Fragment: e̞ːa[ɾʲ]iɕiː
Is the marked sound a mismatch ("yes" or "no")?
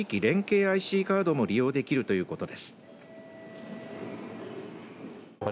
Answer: yes